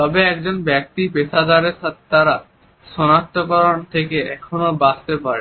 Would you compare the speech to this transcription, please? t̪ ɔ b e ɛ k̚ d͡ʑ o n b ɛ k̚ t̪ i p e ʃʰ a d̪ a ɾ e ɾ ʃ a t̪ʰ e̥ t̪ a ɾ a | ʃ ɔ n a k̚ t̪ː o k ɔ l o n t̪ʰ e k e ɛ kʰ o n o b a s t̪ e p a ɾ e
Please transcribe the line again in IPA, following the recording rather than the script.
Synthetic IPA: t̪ ɔ b e ɛ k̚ d͡ʑ o n b ɛ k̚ t̪ i p e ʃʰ a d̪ a ɾ e ɾ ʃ a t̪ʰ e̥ t̪ a ɾ a | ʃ ɔ n a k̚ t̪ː o k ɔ ɾ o n t̪ʰ e k e ɛ kʰ o n o b a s t̪ e p a ɾ e